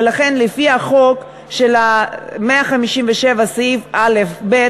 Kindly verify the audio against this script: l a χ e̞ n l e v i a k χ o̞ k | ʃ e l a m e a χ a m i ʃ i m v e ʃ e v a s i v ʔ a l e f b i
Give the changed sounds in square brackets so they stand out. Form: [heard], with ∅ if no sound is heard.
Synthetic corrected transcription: l a χ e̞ n l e [f] i a [∅] χ o̞ k | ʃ e l a m e a χ a m i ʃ i m v e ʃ e v a s i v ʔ a l e f b [e]